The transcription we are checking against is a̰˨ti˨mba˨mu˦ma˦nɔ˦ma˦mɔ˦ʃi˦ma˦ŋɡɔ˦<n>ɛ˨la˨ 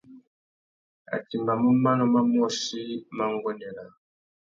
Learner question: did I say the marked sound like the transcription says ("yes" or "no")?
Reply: yes